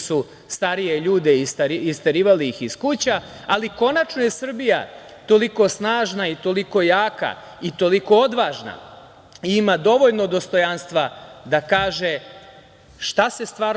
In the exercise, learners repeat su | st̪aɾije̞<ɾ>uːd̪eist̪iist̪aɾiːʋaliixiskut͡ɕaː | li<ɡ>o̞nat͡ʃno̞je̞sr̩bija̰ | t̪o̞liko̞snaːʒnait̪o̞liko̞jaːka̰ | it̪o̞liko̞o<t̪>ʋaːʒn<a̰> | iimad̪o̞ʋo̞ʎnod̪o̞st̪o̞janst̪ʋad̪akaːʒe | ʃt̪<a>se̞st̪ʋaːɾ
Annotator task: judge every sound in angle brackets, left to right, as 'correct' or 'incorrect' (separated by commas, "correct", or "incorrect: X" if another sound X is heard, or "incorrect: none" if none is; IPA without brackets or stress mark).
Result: incorrect: ʎ, incorrect: k, incorrect: d̪, correct, correct